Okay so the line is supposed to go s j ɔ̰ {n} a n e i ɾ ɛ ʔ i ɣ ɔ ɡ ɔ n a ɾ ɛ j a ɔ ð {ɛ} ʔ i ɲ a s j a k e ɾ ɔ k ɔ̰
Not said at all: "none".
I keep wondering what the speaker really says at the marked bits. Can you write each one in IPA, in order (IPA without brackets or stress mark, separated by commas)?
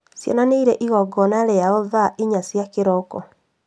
n, a